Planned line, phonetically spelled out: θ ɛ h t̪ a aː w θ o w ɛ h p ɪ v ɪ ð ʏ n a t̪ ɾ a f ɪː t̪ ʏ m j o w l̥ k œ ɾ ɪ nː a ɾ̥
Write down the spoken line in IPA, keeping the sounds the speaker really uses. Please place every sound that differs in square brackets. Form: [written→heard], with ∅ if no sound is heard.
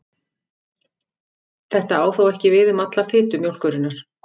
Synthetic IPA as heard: θ ɛ h t̪ a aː w θ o w ɛ h [p→c] ɪ v ɪ ð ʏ [n→m] a t̪ [ɾ→l] a f ɪː t̪ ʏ m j o w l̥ k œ ɾ ɪ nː a ɾ̥